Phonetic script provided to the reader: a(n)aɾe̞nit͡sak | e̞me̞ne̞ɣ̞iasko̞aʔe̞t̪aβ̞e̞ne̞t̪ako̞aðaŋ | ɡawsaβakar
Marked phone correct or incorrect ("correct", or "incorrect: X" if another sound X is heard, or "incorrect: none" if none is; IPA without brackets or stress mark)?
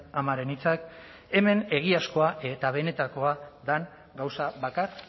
incorrect: m